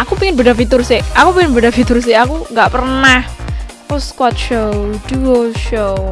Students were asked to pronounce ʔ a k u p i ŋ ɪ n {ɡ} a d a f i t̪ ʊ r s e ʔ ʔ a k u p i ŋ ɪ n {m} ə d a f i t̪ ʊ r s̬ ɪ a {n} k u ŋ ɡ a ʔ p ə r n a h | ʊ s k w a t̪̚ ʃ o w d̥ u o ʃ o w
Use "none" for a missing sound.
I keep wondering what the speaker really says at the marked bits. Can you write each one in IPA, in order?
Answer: b, b, none

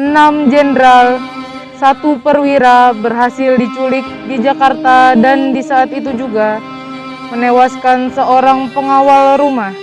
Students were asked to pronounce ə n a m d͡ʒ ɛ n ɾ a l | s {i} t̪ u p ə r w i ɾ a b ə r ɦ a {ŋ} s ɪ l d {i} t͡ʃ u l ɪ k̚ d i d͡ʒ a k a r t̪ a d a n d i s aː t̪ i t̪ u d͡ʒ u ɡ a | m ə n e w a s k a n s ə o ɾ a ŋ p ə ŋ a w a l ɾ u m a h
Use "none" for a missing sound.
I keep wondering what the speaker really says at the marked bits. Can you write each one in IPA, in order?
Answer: a, none, i

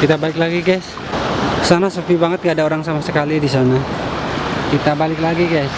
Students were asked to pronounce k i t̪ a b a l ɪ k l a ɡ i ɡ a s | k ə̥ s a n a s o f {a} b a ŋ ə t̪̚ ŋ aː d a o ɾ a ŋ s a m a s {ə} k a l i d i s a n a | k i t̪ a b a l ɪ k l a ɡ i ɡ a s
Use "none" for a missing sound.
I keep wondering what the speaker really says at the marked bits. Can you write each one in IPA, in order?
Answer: i, ə

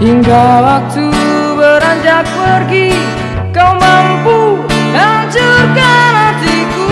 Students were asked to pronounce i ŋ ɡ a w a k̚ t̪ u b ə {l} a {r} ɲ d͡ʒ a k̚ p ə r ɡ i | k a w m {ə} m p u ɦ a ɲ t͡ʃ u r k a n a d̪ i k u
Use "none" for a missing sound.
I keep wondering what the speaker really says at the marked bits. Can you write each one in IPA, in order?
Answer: ɾ, none, a

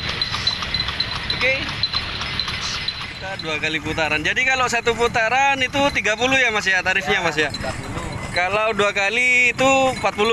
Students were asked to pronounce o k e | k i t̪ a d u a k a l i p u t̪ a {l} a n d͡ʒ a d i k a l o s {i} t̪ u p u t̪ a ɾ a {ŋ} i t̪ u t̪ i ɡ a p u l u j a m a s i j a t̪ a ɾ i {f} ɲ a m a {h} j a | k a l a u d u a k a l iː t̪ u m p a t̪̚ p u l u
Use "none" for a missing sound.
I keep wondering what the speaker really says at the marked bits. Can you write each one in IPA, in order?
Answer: ɾ, a, n, f, s

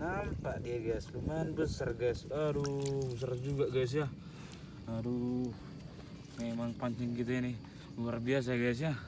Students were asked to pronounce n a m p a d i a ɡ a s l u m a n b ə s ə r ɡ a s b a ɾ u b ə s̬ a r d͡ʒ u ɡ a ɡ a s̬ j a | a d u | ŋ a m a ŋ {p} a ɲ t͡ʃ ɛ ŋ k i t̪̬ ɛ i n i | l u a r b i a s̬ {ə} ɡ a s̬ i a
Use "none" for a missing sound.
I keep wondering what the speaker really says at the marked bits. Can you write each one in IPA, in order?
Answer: p, a

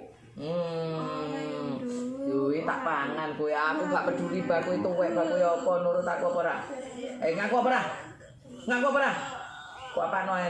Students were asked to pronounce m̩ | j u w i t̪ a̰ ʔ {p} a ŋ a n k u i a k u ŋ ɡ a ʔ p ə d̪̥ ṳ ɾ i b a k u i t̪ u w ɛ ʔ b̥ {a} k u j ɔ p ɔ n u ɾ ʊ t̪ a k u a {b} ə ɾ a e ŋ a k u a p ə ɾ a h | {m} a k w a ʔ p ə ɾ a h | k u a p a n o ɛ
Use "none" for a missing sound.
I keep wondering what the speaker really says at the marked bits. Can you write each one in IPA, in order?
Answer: p, a, p, ŋ

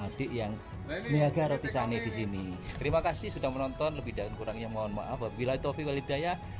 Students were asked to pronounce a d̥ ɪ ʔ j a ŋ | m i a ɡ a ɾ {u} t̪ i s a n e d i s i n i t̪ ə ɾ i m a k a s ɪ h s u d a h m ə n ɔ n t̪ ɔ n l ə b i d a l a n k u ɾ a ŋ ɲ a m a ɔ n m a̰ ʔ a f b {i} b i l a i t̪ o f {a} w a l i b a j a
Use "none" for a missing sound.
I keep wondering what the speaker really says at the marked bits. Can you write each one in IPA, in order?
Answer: o, a, i

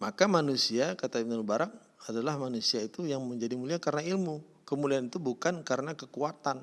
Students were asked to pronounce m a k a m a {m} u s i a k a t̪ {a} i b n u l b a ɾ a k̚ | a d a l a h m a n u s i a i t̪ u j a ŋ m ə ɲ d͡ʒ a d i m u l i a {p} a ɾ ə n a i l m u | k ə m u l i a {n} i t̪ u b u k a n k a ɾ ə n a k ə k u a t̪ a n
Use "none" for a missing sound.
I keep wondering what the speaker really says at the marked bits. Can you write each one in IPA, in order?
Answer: n, a, k, n

